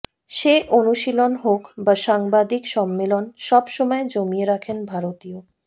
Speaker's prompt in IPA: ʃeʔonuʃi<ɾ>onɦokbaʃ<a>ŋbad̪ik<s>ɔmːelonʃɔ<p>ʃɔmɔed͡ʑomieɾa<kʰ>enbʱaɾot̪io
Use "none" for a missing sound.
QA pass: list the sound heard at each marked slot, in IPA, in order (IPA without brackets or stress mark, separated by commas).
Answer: l, a, ʃ, b, kʰ